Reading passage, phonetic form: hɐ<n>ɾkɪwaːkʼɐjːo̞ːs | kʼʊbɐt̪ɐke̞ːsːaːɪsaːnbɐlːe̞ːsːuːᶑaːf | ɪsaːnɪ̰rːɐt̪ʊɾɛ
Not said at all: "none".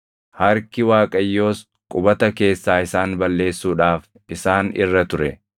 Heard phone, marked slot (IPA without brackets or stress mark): none